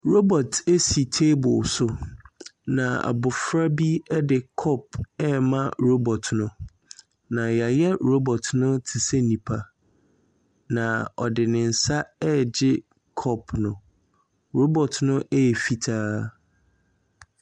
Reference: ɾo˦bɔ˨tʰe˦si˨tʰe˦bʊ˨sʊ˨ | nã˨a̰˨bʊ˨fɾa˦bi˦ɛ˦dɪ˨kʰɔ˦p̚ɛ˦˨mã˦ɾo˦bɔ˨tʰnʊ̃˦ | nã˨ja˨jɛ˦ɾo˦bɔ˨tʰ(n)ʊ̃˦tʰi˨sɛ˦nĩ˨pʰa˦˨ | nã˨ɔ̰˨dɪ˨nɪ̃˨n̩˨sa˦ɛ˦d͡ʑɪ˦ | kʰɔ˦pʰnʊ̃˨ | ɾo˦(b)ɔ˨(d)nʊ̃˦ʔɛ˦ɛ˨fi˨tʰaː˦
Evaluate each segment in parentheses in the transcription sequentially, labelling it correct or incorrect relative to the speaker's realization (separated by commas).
correct, correct, incorrect